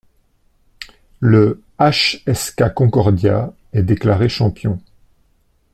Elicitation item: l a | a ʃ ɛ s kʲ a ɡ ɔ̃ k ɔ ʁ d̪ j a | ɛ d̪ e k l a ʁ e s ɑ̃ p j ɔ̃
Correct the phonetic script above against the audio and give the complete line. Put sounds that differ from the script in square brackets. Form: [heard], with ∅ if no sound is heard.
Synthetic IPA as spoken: l [ə] | a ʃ ɛ s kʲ a [k] ɔ̃ k ɔ ʁ d̪ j a | ɛ d̪ e k l a ʁ e [ʃ] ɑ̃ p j ɔ̃